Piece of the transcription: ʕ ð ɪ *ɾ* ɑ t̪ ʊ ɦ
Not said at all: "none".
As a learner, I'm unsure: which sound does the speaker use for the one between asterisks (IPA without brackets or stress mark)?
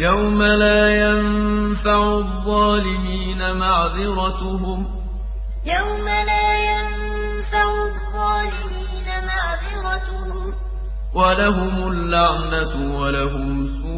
ɾ